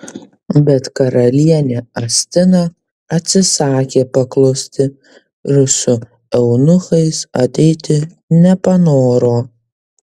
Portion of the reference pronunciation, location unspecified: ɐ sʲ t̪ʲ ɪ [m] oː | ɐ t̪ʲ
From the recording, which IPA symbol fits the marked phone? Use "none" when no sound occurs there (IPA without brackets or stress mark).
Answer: n